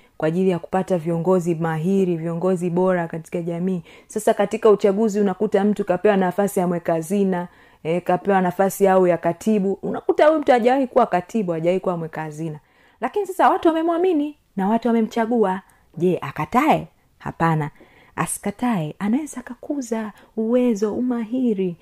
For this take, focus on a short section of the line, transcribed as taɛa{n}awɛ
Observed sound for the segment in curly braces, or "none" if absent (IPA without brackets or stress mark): n